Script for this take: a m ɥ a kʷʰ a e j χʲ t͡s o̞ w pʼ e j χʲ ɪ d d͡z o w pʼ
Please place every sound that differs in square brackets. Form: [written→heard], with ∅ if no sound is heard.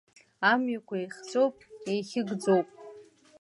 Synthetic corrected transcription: a m ɥ a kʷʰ a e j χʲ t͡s o̞ w pʼ e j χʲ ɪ [d→ɡ] d͡z o w pʼ